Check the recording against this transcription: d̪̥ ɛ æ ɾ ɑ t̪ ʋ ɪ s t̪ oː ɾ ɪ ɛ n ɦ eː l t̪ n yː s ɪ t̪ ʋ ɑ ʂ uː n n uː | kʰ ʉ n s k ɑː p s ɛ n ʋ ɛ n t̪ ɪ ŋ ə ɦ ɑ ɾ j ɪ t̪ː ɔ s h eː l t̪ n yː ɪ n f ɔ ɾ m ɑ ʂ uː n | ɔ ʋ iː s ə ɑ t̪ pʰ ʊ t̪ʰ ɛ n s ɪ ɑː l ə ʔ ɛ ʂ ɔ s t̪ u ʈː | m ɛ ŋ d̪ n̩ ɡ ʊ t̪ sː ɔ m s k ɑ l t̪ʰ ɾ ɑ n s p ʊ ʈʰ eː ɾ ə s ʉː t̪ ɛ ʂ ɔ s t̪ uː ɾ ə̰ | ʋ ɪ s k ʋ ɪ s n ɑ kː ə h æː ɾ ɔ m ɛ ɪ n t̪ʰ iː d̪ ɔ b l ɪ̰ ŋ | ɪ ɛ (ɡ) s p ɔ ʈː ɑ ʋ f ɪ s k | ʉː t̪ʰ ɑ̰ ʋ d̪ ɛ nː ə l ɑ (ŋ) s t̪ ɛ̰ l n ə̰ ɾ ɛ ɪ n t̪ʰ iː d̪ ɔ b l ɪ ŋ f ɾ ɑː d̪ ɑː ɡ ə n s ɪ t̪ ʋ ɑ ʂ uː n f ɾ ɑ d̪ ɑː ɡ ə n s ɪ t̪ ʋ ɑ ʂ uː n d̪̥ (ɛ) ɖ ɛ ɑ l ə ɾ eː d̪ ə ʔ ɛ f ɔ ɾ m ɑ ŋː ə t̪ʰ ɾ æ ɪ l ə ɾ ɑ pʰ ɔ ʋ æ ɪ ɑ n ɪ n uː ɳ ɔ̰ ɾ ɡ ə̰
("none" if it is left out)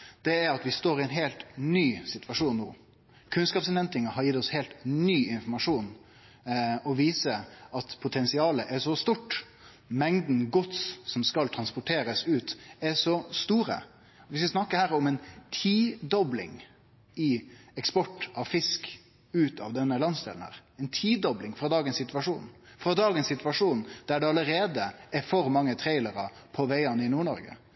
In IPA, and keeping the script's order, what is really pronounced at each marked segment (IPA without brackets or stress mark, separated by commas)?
k, n, æ